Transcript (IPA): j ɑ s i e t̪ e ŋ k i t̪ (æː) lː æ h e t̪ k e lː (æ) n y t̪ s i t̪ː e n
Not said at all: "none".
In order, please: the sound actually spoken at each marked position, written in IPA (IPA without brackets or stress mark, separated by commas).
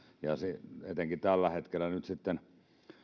æ, æ